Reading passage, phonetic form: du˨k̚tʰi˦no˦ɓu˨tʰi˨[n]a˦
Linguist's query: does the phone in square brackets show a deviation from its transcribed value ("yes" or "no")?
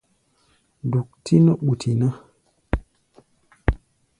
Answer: no